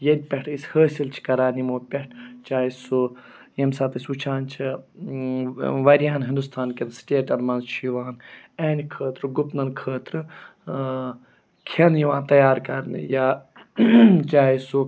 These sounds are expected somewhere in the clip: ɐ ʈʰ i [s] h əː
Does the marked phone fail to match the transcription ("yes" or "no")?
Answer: no